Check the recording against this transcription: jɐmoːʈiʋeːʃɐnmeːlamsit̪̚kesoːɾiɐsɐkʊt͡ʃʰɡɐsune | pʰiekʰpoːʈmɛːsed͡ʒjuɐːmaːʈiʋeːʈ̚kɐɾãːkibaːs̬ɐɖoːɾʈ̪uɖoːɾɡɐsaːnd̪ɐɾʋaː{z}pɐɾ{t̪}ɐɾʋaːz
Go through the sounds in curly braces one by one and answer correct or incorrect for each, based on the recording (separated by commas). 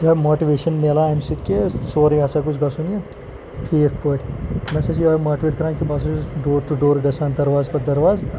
correct, incorrect